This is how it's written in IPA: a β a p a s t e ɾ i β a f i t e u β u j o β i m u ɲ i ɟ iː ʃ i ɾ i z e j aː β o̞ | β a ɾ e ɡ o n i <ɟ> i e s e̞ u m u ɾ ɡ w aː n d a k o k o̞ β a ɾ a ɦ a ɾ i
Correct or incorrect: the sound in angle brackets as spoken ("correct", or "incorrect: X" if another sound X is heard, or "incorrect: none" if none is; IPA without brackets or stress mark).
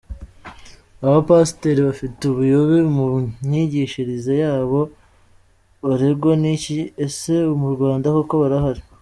incorrect: c